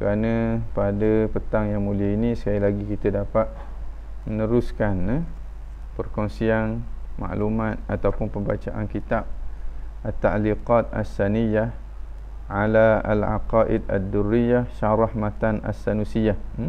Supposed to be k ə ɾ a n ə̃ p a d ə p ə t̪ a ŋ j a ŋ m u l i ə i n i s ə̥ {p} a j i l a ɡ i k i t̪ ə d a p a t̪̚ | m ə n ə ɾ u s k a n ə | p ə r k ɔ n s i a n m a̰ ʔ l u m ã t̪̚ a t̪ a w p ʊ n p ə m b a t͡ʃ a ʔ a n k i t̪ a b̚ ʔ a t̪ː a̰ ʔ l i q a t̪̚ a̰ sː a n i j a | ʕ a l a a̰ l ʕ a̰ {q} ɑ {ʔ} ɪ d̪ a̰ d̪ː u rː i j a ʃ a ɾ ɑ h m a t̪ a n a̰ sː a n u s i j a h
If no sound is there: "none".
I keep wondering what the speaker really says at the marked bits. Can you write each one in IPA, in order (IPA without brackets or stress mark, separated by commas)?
k, q, ʔ